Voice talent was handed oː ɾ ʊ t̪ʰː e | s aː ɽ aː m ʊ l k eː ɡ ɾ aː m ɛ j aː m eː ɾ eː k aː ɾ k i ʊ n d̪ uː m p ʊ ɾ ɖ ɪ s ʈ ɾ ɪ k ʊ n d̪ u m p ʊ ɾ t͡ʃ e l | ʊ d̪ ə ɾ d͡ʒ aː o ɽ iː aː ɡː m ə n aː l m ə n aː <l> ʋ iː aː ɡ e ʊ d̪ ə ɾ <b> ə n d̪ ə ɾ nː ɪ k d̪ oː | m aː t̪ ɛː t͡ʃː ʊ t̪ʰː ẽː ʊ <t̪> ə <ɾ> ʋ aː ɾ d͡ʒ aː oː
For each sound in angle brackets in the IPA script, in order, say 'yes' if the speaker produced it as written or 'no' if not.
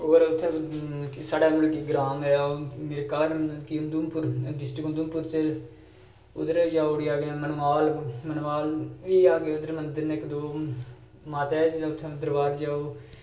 yes, no, no, yes

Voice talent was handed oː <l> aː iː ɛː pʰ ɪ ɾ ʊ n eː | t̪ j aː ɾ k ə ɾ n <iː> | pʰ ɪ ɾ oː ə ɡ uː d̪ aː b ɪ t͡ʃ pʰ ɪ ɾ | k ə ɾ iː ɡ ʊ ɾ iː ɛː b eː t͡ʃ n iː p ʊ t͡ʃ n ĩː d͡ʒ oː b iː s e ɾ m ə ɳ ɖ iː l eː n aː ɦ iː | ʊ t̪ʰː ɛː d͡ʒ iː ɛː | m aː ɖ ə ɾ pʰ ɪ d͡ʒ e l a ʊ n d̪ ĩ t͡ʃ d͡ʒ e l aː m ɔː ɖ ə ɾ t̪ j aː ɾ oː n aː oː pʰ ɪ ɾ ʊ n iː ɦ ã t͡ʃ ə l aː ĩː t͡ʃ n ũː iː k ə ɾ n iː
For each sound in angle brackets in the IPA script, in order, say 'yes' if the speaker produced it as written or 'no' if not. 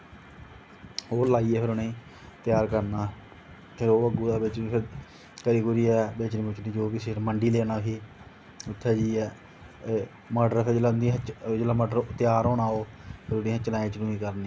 yes, no

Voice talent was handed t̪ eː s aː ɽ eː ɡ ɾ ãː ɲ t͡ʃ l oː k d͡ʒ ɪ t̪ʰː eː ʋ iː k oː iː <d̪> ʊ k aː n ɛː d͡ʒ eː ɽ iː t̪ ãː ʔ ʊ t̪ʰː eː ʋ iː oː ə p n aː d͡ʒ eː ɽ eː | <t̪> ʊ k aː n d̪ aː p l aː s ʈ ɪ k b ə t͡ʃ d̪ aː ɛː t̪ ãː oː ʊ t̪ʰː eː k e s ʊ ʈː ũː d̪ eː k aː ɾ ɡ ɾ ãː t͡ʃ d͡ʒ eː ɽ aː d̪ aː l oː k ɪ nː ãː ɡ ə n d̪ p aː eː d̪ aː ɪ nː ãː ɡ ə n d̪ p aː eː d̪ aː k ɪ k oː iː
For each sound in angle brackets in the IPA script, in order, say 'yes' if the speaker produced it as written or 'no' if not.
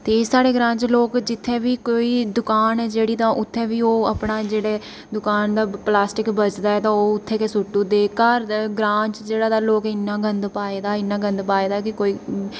yes, no

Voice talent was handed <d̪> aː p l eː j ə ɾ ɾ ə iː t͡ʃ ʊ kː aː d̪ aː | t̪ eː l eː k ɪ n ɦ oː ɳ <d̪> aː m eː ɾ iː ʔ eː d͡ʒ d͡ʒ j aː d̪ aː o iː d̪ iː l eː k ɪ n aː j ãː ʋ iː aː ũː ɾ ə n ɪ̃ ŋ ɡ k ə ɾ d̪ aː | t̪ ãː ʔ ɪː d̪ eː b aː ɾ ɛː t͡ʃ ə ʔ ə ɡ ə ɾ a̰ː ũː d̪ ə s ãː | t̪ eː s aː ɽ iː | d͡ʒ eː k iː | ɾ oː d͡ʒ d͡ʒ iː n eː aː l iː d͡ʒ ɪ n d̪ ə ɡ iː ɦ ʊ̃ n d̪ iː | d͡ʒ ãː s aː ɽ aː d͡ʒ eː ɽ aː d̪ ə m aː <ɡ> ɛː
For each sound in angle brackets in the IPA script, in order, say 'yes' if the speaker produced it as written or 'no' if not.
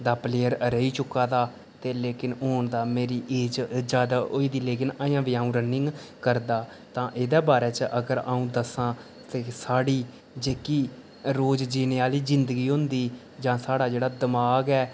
yes, yes, yes

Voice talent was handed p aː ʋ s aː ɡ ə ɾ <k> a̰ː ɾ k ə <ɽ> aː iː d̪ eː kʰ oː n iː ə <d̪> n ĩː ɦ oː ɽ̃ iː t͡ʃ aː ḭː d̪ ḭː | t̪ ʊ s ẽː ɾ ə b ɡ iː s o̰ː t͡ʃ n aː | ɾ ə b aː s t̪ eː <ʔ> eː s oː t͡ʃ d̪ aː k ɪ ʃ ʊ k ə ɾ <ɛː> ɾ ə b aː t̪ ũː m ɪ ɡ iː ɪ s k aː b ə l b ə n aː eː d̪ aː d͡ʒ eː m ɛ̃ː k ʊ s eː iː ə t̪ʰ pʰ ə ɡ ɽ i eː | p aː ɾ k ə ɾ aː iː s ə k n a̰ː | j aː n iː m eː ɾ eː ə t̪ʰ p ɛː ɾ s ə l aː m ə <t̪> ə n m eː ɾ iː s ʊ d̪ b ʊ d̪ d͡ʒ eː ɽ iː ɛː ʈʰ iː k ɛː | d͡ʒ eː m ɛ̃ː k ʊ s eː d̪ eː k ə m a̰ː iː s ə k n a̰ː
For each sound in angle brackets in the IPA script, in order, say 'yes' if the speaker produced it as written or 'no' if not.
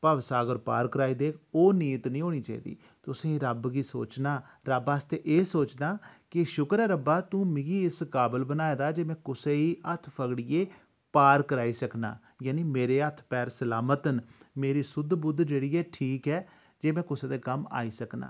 no, no, no, yes, yes, yes

